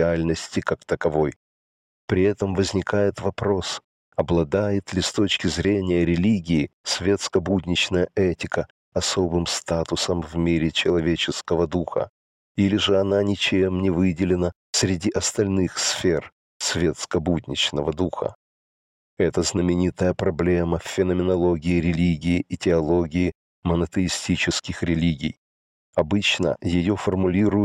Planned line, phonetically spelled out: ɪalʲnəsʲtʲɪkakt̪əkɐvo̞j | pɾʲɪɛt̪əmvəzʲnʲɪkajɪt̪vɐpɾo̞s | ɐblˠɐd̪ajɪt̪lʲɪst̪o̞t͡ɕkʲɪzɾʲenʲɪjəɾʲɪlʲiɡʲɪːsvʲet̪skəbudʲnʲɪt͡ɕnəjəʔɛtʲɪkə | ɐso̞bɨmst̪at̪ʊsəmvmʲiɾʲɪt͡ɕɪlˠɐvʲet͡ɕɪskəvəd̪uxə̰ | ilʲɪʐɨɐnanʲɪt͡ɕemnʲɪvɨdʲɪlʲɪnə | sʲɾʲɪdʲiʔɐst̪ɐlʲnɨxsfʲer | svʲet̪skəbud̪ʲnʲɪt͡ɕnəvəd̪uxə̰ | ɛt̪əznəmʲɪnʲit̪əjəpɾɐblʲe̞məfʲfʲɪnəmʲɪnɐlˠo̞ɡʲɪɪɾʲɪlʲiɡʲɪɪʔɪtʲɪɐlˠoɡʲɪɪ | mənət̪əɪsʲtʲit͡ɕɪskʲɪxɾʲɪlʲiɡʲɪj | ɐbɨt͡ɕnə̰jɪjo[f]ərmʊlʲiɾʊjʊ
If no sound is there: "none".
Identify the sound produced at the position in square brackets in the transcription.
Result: f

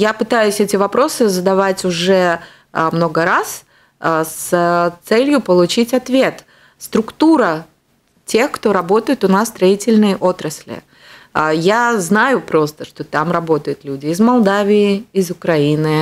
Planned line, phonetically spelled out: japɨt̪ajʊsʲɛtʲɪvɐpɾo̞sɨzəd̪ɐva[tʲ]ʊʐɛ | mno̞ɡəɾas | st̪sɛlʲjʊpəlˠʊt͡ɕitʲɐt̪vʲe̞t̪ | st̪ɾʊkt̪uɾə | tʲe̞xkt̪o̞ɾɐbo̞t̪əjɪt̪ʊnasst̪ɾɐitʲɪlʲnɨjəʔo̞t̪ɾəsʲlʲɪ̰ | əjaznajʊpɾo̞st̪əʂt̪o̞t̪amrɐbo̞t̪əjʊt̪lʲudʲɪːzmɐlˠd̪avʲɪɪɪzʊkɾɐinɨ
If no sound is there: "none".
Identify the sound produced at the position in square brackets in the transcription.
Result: tʲ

